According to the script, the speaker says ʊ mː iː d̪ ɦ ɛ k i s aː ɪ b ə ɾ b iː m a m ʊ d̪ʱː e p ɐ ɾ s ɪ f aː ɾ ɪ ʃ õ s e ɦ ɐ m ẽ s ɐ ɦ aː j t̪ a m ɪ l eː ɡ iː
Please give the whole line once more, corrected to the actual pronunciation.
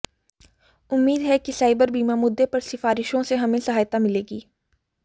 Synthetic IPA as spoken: ʊ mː iː d̪ ɦ ɛ k i s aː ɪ b ə ɾ b iː m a m ʊ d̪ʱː e p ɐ ɾ s ɪ f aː ɾ ɪ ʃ õ s e ɦ ɐ m ẽ s ɐ ɦ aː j t̪ a m ɪ l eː ɡ iː

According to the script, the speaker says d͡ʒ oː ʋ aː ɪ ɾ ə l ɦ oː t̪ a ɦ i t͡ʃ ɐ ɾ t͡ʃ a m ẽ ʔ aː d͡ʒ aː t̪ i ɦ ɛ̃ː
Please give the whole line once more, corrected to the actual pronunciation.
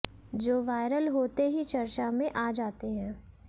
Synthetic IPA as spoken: d͡ʒ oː ʋ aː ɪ ɾ ə l ɦ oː t̪ e ɦ i t͡ʃ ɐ ɾ t͡ʃ a m ẽ ʔ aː d͡ʒ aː t̪ e ɦ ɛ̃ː

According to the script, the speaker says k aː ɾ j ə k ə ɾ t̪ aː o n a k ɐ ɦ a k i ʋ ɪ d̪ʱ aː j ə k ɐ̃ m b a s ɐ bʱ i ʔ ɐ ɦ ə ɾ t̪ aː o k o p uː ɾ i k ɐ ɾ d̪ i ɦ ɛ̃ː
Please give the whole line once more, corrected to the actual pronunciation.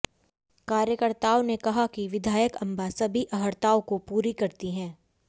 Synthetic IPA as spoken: k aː ɾ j ə k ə ɾ t̪ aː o n e k ɐ ɦ a k i ʋ ɪ d̪ʱ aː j ə k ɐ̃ m b a s ɐ bʱ i ʔ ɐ ɦ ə ɾ t̪ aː o k o p uː ɾ i k ɐ ɾ t̪ i ɦ ɛ̃ː

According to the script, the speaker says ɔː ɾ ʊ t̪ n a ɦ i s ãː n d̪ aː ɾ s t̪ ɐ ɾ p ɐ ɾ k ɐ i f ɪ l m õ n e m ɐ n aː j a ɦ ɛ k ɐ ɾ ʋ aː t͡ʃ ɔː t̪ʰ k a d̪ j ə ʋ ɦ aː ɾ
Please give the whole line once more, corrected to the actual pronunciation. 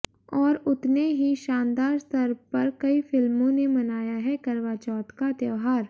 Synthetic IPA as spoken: ɔː ɾ ʊ t̪ n e ɦ i ʃ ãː n d̪ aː ɾ s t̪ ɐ ɾ p ɐ ɾ k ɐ i f ɪ l m õ n e m ɐ n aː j a ɦ ɛ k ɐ ɾ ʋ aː t͡ʃ ɔː t̪ k a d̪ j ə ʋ ɦ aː ɾ

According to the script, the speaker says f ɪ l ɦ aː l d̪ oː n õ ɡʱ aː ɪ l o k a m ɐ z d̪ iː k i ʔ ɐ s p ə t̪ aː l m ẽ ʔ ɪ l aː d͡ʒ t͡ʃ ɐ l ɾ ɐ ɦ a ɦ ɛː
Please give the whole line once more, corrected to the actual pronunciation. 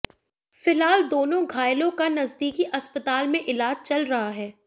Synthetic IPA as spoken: f ɪ l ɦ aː l d̪ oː n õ ɡʱ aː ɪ l õ k a n ɐ z d̪ iː k i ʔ ɐ s p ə t̪ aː l m ẽ ʔ ɪ l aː d͡ʒ t͡ʃ ɐ l ɾ ɐ ɦ a ɦ ɛː

